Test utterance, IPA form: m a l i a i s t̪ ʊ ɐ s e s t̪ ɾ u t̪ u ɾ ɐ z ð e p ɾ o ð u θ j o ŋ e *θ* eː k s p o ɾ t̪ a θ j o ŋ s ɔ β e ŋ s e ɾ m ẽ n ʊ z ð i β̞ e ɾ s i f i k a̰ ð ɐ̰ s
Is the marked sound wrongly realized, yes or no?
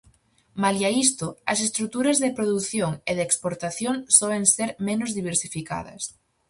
yes